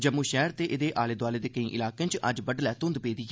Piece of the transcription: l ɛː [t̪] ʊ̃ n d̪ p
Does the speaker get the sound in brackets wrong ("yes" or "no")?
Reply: no